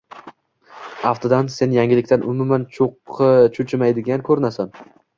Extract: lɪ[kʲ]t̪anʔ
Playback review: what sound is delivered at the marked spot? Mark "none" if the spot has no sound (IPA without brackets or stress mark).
kʲ